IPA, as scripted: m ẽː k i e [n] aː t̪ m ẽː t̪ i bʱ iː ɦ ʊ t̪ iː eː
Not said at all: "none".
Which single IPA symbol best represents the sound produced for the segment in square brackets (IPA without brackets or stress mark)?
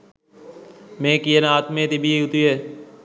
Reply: n